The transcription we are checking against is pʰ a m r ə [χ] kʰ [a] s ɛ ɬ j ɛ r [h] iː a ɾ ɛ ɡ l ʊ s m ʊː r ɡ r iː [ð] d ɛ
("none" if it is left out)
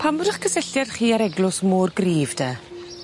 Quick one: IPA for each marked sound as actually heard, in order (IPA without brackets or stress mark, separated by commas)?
χ, ə, χ, v